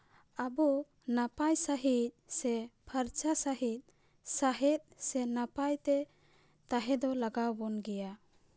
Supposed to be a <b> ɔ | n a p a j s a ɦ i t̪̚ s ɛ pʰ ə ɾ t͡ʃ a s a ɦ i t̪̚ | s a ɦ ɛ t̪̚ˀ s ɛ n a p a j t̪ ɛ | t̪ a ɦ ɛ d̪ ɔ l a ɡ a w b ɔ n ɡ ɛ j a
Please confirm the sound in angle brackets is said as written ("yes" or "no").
yes